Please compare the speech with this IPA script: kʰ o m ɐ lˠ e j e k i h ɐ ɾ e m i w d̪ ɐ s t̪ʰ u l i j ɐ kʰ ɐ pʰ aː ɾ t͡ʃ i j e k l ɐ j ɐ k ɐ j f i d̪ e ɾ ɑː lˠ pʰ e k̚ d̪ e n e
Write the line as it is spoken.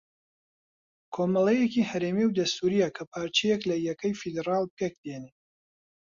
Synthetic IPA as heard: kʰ o m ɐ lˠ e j e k i h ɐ ɾ e m i w d̪ ɐ s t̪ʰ u ɾ i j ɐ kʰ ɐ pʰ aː ɾ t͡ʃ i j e k l ɐ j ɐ k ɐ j f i d̪ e ɾ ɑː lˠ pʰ e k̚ d̪ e n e